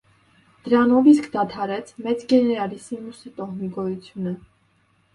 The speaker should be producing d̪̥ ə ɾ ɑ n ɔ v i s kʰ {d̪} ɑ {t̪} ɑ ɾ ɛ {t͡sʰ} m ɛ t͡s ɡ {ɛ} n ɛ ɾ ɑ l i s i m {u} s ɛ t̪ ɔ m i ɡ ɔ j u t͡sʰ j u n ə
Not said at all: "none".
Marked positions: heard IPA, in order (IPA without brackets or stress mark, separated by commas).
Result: d̪, t̪ʰ, t͡sʰ, ɛ, u